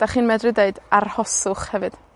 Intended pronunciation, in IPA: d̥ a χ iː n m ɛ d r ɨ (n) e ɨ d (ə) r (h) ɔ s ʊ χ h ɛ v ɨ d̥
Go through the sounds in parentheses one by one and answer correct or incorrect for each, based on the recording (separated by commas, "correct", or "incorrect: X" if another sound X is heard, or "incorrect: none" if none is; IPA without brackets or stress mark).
incorrect: d, incorrect: a, correct